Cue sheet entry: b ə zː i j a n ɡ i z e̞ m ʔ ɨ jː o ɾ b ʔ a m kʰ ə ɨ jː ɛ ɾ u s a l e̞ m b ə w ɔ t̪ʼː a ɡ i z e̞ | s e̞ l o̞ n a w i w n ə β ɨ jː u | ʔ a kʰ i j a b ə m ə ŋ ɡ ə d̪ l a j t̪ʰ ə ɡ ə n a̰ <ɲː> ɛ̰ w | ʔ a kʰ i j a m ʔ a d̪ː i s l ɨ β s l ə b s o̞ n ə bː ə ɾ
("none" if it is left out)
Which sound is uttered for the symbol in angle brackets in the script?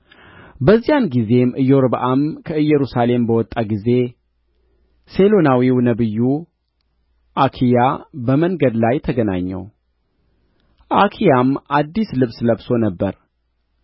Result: ɲː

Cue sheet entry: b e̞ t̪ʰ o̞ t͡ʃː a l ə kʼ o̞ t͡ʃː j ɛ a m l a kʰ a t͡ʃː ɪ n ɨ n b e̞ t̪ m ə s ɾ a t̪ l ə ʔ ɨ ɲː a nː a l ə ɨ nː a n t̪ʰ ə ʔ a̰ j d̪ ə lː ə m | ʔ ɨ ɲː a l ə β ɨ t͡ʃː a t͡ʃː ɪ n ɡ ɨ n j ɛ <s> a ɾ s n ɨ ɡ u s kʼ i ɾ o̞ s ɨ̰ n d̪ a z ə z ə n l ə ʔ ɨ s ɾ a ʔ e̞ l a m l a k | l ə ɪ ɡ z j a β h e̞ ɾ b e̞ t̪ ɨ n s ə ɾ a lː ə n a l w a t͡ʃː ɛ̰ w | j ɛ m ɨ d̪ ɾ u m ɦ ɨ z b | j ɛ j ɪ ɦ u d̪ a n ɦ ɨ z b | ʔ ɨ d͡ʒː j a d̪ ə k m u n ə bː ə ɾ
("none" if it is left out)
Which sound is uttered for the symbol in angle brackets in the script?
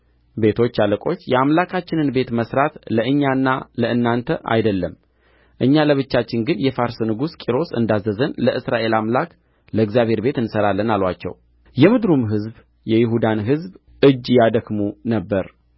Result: f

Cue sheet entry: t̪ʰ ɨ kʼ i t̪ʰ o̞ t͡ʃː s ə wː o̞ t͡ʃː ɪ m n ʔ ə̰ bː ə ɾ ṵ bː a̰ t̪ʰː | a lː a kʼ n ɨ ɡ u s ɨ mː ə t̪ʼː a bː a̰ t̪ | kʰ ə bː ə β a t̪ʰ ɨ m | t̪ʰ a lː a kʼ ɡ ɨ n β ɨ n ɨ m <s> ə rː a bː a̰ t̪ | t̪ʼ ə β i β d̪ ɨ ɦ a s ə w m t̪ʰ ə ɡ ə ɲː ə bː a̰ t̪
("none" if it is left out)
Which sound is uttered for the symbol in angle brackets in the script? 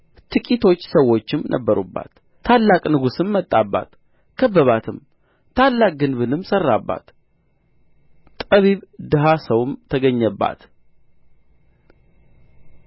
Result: s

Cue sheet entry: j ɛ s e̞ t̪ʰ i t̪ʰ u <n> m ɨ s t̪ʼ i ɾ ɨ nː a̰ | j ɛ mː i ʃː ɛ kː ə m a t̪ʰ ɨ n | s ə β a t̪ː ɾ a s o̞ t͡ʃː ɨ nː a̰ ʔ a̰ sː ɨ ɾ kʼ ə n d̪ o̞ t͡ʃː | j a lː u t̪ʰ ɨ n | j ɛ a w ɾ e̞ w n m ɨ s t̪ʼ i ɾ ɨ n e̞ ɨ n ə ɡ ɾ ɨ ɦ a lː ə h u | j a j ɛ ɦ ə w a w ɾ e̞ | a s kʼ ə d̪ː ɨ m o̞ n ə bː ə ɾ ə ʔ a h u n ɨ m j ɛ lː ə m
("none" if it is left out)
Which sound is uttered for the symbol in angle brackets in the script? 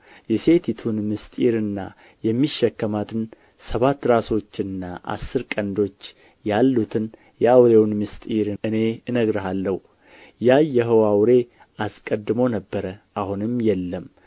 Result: n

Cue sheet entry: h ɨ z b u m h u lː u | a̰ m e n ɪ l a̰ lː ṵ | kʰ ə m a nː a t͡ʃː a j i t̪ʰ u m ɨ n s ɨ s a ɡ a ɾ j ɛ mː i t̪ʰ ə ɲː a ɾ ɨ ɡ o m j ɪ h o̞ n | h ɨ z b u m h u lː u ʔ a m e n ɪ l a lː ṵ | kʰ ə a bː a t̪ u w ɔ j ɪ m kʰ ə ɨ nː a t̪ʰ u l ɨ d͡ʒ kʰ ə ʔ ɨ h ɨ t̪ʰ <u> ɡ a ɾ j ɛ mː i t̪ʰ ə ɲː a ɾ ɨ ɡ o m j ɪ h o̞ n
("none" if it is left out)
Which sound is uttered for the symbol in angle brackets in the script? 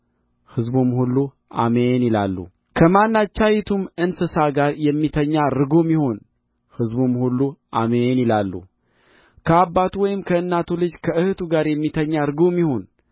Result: u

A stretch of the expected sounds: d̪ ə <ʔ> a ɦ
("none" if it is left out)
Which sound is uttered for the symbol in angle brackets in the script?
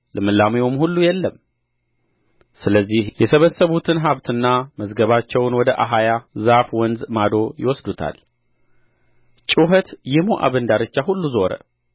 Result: ʔ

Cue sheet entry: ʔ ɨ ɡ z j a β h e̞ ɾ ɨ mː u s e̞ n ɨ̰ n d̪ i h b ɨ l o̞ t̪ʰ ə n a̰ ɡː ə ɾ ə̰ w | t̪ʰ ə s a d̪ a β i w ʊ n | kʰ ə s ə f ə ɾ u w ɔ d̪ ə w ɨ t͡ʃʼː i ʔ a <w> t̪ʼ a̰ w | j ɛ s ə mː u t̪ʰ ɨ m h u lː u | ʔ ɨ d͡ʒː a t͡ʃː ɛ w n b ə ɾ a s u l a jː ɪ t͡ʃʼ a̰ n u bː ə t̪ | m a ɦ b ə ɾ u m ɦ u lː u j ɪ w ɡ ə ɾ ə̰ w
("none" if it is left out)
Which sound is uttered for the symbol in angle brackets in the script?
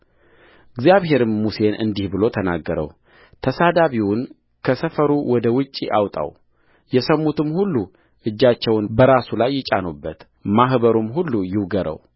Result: w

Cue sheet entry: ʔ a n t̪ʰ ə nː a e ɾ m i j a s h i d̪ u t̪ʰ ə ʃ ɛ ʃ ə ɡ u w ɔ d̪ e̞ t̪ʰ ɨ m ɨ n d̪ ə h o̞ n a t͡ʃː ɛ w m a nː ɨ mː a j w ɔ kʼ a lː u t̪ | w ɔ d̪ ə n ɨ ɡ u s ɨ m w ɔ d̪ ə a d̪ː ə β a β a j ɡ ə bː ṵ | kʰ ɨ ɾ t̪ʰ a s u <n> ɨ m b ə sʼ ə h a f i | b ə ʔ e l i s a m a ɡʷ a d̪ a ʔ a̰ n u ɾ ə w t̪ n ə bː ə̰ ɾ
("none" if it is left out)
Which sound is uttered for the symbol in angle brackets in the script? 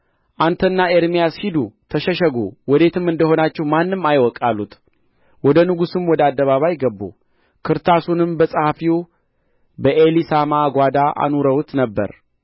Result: n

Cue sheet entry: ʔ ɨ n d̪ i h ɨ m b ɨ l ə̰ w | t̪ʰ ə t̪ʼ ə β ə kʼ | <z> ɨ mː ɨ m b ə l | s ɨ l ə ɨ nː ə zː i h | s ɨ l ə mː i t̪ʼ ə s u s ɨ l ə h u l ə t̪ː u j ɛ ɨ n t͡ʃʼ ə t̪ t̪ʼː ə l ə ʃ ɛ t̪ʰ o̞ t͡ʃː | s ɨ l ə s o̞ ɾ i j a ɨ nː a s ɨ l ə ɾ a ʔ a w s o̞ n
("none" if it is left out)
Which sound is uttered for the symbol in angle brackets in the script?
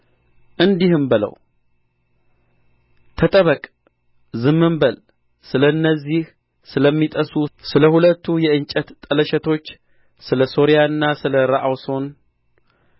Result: z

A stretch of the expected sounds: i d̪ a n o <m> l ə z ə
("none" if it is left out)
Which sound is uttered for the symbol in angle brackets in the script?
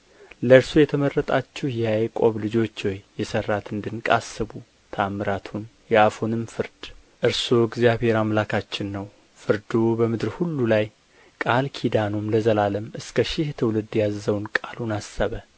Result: m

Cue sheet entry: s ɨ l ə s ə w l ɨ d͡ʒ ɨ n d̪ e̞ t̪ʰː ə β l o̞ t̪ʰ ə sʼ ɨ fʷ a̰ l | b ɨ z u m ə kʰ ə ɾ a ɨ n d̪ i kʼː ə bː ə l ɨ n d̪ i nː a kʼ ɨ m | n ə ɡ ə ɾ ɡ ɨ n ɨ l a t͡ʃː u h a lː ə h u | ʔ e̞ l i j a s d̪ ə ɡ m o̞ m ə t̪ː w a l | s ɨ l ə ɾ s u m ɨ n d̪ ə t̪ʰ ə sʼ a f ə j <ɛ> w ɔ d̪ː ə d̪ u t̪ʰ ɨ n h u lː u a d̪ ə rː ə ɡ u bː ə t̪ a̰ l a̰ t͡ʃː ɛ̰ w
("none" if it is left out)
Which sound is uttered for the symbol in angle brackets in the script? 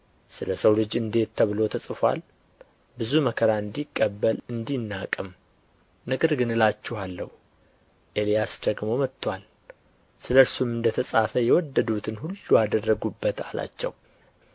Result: ɛ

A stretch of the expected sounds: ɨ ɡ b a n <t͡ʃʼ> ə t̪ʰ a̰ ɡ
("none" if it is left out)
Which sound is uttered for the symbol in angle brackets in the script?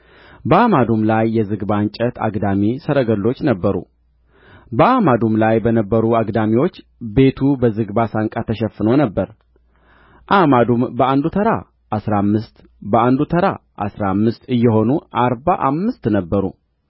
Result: t͡ʃʼ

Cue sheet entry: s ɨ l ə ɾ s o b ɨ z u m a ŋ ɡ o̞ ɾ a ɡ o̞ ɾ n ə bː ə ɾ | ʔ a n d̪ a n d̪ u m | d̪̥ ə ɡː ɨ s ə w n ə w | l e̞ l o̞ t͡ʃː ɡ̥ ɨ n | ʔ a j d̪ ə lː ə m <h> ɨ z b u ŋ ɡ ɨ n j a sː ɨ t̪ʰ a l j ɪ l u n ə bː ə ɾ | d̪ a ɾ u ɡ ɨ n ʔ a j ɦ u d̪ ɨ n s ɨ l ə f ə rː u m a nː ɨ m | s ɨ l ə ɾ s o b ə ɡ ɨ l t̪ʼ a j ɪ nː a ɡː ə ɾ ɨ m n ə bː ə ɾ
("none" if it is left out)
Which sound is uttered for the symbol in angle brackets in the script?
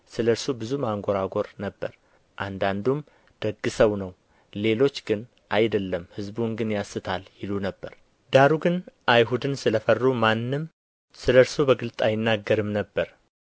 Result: h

